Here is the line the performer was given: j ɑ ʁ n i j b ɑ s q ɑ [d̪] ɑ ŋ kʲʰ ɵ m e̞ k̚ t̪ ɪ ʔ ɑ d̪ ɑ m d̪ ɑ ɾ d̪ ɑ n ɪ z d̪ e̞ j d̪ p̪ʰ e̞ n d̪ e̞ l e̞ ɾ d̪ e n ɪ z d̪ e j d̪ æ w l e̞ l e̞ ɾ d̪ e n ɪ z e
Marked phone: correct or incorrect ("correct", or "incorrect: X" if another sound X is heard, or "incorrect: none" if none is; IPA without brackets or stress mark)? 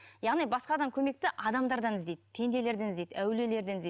correct